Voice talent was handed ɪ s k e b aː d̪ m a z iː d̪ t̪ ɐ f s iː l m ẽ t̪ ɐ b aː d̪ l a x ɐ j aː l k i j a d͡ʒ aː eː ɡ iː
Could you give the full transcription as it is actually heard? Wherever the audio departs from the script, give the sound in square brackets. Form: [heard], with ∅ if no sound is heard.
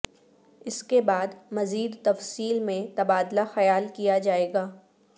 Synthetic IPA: ɪ s k e b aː d̪ m [ɐ] z iː d̪ t̪ ɐ f s iː l m ẽ t̪ ɐ b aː d̪ l a x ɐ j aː l k i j a d͡ʒ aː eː ɡ [aː]